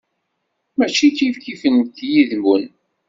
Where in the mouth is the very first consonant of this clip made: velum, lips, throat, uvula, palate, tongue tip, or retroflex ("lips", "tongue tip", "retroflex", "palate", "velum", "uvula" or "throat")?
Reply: lips